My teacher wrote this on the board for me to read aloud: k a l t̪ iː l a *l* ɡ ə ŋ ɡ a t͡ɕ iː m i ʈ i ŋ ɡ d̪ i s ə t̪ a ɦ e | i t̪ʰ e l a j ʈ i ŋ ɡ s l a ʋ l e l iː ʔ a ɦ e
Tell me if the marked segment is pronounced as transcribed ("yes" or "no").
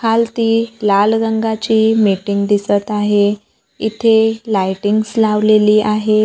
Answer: yes